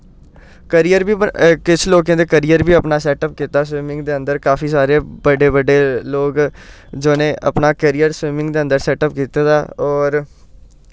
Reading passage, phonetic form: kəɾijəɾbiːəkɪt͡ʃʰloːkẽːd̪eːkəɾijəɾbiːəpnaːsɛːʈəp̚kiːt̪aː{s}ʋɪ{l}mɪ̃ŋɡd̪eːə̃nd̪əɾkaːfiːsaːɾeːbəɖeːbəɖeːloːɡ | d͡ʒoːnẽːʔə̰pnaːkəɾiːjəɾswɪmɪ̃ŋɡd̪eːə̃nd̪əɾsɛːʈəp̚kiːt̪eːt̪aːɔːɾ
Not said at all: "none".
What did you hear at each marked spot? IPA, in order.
s, none

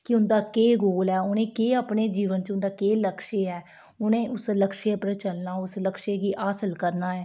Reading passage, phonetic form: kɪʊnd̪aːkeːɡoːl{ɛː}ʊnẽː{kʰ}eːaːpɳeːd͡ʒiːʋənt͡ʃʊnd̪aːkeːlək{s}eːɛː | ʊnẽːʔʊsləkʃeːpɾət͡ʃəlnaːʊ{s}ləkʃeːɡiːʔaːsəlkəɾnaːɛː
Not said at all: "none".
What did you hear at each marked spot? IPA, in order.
ɛː, k, ʃ, s

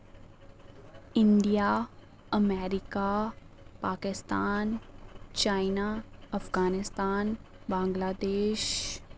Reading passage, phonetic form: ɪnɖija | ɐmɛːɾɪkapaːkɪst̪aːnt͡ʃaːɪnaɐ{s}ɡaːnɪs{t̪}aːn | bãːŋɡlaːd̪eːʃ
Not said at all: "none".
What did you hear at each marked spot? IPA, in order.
f, t̪

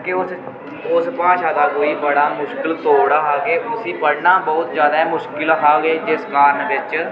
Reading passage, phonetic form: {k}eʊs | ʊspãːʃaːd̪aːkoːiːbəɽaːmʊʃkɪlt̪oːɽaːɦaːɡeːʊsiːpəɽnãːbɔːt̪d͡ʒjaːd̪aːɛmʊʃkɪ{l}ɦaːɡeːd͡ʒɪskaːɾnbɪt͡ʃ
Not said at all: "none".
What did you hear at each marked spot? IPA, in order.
k, l

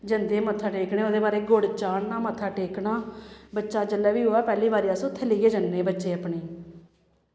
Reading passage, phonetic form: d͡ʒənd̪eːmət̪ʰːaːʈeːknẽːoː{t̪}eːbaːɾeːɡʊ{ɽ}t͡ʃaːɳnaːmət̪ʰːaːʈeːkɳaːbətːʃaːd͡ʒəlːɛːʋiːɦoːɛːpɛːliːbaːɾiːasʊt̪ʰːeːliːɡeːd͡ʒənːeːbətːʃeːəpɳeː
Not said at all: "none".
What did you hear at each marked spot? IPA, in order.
d̪, ɽ

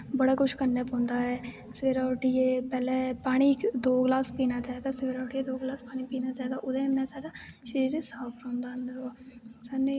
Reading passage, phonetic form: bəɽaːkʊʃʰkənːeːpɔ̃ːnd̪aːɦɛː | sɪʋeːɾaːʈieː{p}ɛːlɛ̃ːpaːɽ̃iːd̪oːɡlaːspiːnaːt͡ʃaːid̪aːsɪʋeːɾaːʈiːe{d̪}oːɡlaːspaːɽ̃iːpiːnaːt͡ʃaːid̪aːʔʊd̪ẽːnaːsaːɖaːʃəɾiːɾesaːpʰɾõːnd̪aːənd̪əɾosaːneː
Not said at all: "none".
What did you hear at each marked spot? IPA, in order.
p, d̪

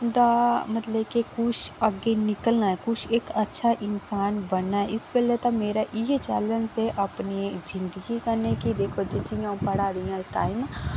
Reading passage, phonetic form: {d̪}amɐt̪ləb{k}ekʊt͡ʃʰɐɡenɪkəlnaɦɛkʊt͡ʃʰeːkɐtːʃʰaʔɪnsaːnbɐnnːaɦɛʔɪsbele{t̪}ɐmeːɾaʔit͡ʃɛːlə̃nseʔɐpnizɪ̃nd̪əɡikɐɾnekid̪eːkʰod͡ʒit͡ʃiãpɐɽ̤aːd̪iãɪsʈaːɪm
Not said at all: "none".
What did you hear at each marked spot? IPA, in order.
d̪, k, t̪

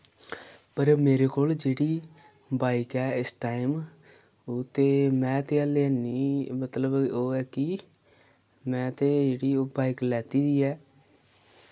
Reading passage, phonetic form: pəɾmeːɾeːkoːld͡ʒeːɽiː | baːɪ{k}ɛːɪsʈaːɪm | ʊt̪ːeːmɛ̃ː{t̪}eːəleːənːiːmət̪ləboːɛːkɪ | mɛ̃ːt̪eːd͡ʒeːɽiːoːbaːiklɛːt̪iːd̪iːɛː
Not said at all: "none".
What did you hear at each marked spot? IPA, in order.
k, t̪

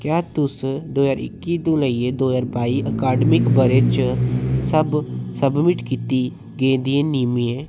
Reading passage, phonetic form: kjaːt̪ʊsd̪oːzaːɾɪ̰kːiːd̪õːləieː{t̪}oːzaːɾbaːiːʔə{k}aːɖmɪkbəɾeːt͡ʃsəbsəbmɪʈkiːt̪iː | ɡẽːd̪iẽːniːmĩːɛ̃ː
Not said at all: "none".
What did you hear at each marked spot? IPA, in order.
d̪, k

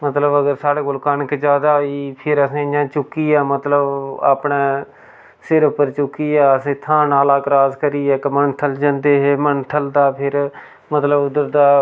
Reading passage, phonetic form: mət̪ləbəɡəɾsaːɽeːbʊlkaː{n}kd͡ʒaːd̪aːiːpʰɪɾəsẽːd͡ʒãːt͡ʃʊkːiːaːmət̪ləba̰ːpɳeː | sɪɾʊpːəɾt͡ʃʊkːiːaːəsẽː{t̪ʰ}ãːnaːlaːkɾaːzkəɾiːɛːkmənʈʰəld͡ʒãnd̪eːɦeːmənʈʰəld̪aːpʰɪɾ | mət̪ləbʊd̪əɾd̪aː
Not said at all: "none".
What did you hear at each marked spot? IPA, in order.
n, t̪ʰ

